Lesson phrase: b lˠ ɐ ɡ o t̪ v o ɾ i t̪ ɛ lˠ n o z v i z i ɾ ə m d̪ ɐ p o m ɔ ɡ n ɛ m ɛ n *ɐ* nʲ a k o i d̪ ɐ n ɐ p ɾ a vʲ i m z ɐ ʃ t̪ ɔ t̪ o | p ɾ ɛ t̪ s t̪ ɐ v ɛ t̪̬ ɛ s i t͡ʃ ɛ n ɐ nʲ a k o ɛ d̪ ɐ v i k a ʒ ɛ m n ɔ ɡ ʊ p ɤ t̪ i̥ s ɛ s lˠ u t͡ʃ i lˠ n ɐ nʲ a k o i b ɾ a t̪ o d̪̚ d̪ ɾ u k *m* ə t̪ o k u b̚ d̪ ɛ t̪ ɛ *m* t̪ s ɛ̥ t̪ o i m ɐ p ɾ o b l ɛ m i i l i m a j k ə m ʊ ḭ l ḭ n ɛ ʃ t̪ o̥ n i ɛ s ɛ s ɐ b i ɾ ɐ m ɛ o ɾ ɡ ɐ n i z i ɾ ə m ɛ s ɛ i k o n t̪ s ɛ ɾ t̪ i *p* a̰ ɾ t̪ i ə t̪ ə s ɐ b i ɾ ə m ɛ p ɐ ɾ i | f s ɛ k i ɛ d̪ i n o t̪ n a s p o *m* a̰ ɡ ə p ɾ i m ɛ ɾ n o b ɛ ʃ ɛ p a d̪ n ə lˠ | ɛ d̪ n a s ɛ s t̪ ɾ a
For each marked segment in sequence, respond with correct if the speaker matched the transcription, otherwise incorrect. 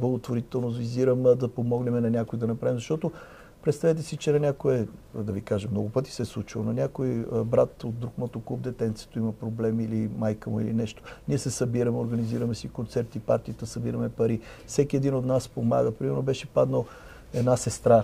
correct, correct, incorrect: n, correct, correct

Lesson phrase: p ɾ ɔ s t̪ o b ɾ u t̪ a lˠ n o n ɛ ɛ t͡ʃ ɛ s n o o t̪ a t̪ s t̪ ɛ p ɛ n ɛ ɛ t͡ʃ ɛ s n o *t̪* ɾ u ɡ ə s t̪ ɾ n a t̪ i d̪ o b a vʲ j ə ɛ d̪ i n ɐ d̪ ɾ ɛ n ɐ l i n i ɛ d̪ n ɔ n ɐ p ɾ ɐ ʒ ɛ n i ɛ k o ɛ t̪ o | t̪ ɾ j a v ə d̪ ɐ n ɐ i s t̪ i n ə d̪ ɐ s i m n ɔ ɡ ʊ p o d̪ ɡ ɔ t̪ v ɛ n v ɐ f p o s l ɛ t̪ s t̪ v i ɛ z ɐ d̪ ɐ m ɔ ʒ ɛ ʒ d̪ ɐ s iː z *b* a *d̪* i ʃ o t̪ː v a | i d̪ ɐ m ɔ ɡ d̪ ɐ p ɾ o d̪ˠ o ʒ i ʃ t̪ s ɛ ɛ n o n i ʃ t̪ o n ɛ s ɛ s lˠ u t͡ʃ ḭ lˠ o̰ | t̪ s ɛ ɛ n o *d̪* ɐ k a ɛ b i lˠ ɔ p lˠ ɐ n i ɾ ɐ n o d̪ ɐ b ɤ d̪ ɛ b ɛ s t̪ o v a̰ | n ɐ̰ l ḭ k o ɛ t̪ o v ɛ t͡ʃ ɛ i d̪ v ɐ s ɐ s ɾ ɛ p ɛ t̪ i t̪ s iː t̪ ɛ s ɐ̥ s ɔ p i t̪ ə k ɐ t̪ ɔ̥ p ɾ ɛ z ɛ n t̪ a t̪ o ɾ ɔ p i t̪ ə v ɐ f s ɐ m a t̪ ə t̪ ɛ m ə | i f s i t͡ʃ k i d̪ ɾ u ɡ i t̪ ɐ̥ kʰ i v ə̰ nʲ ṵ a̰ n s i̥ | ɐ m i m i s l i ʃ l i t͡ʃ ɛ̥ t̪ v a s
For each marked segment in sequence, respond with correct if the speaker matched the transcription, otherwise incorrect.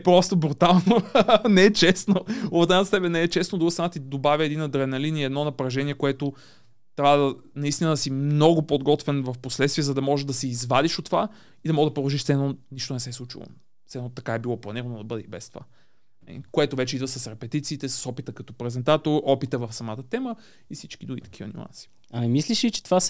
incorrect: d̪, incorrect: v, correct, incorrect: t̪

